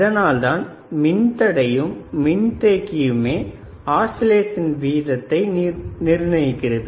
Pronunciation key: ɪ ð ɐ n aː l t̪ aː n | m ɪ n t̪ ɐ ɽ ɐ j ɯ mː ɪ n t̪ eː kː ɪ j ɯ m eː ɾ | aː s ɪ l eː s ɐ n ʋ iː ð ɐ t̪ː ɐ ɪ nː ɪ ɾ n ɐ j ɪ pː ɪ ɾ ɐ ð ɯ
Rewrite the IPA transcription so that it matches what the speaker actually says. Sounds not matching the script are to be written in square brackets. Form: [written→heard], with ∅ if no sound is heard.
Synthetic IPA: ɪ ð ɐ n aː l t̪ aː n | m ɪ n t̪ ɐ ɽ ɐ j ɯ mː ɪ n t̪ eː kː ɪ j ɯ m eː [ɾ→∅] | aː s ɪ l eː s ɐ n ʋ iː ð ɐ t̪ː ɐ ɪ [nː→n] ɪ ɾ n ɐ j ɪ [pː→kː] ɪ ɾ ɐ ð ɯ